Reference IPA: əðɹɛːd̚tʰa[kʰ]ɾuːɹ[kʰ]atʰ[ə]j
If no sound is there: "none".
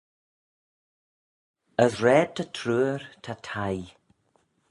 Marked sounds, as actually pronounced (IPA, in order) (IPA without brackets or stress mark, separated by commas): tʰ, tʰ, a